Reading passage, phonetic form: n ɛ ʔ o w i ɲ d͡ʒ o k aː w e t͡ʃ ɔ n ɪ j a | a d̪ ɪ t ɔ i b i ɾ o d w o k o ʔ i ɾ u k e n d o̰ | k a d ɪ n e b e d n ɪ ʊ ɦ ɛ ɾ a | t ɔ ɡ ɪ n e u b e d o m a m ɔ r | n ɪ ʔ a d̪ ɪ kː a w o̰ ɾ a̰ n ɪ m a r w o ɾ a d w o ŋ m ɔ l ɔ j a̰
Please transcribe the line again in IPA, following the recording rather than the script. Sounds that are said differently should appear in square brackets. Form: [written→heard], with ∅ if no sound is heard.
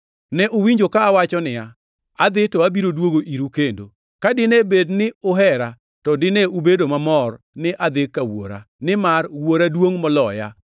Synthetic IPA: n ɛ ʔ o w i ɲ d͡ʒ o k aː w [e→a] t͡ʃ ɔ n ɪ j a | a d̪ ɪ t ɔ [i→a] b i ɾ o d w o [k→ɡ] o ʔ i ɾ u k e n d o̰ | k a d ɪ n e b e d n ɪ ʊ ɦ ɛ ɾ a | t ɔ [ɡ→d] ɪ n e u b e d o m a m ɔ r | n ɪ ʔ a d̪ ɪ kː a w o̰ ɾ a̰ n ɪ m a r w o ɾ a d w o ŋ m ɔ l ɔ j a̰